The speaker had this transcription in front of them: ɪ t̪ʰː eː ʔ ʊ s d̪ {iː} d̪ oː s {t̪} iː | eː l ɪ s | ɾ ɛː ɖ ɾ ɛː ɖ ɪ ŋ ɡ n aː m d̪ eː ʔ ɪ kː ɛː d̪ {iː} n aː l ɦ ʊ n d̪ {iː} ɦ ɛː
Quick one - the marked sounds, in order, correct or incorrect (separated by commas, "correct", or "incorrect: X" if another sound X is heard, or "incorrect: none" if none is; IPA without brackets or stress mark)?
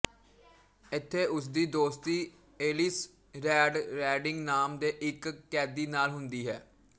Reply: correct, correct, correct, correct